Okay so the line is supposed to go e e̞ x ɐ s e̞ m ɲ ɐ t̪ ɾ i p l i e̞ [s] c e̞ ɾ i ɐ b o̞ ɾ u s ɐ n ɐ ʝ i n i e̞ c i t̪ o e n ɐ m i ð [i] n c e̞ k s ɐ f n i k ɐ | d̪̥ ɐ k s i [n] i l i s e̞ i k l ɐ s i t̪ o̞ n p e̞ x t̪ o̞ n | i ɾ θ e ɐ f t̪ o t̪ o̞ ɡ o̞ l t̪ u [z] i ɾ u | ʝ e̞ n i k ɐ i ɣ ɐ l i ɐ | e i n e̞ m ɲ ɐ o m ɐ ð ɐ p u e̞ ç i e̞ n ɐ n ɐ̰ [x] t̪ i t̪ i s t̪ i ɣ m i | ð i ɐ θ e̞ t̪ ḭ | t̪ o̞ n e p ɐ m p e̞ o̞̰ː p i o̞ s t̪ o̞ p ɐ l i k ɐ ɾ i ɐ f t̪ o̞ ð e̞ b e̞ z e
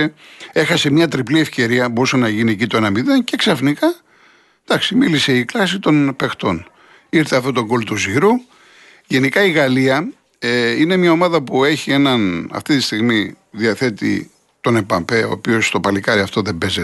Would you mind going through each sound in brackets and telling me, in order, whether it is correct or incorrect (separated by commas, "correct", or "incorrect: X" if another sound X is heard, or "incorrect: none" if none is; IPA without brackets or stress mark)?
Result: incorrect: f, incorrect: e, incorrect: m, correct, incorrect: f